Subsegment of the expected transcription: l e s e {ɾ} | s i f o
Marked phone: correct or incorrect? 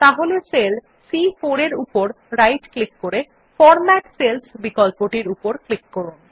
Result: incorrect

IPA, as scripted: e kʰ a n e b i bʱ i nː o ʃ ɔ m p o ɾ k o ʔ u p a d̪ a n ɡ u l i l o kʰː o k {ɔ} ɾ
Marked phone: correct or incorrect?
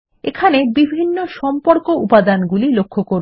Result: incorrect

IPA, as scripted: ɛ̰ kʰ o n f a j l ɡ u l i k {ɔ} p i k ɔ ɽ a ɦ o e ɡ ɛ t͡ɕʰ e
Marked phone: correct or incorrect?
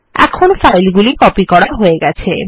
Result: correct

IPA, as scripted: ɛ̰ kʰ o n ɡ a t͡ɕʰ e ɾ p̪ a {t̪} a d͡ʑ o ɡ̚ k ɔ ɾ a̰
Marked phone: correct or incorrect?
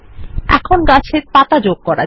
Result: correct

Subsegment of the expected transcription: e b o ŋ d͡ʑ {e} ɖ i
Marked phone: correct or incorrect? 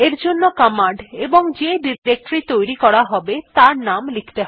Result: correct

